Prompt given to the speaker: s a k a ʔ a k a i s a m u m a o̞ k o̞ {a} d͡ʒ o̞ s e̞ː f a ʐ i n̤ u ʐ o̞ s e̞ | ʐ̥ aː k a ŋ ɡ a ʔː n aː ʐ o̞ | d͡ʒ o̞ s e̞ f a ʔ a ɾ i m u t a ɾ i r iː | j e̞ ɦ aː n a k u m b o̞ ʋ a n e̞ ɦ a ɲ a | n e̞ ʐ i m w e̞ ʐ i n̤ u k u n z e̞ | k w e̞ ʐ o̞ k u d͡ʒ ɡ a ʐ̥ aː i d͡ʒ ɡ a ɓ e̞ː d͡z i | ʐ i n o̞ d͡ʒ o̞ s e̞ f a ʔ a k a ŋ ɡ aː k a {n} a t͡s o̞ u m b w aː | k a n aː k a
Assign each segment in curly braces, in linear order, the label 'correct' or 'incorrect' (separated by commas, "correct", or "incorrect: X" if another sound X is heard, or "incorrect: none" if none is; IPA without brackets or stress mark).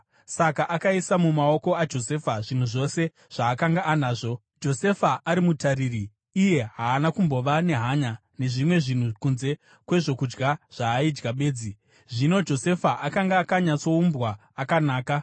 correct, incorrect: ɲ